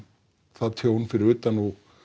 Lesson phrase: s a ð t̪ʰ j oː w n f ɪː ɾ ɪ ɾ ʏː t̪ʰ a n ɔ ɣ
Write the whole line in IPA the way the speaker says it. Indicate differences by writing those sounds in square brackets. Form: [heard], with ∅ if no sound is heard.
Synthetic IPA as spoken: [θ] a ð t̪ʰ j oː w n f [ɪ] ɾ ɪ ɾ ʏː [t̪] a n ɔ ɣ